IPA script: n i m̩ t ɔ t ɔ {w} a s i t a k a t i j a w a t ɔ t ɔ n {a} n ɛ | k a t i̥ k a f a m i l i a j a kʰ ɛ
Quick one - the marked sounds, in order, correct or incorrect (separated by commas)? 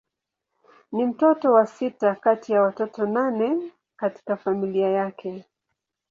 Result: correct, correct